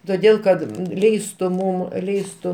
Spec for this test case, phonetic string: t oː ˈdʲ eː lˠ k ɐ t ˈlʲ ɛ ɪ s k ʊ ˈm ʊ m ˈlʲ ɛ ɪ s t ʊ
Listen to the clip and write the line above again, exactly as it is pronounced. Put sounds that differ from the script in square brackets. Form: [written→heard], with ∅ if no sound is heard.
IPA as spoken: t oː ˈdʲ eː lˠ k ɐ t ˈlʲ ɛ ɪ s [k→t] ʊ ˈm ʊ m ˈlʲ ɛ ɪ s t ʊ